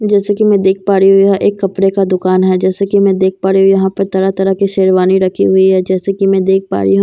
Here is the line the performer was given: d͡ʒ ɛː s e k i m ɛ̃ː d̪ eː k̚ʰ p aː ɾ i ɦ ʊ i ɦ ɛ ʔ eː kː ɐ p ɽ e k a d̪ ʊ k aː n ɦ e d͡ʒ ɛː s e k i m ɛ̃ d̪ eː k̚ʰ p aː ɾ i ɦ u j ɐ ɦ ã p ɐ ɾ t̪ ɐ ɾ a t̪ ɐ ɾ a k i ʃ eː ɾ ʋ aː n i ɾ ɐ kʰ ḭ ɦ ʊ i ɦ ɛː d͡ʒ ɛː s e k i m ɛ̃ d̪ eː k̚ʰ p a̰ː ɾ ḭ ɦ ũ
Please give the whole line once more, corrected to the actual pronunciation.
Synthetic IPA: d͡ʒ ɛː s e k i m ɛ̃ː d̪ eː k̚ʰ p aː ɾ i ɦ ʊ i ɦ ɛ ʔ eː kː ɐ p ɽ e k a d̪ ʊ k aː n ɦ ɛ d͡ʒ ɛː s e k i m ɛ̃ d̪ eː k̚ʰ p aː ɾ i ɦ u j ɐ ɦ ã p ɐ ɾ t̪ ɐ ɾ a t̪ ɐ ɾ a k i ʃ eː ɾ ʋ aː n i ɾ ɐ kʰ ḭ ɦ ʊ i ɦ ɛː d͡ʒ ɛː s e k i m ɛ̃ d̪ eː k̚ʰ p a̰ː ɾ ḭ ɦ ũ